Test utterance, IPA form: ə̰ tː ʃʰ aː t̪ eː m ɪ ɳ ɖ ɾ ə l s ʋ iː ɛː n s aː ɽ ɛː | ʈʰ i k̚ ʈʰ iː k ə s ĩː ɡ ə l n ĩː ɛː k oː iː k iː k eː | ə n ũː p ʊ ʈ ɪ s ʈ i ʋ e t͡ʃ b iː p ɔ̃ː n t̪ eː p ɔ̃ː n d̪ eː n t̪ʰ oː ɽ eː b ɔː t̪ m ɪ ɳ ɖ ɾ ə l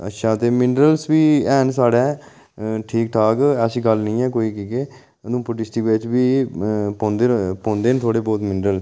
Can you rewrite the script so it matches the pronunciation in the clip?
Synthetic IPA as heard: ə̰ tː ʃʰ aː t̪ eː m ɪ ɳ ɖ ɾ ə l s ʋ iː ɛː n s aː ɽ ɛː | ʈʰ iː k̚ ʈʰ aː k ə s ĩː ɡ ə l n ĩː ɛː k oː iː k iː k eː | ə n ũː p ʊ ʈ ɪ s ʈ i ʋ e t͡ʃ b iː p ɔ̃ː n d̪ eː p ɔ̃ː n d̪ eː n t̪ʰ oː ɽ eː b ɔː t̪ m ɪ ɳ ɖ ɾ ə l